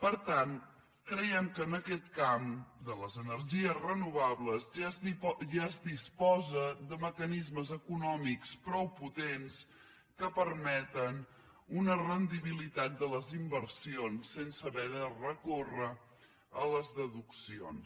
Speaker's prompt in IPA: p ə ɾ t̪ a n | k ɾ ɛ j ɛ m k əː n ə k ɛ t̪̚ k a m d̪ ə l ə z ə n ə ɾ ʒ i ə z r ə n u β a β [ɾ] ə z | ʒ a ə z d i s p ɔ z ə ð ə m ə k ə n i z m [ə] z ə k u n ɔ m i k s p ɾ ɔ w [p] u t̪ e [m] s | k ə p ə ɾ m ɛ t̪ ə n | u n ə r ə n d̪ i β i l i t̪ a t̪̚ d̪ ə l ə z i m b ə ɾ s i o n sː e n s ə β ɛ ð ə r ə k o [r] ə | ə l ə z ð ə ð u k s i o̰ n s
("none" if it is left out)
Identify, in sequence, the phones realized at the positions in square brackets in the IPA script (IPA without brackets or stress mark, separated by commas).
l, ə, p, n, r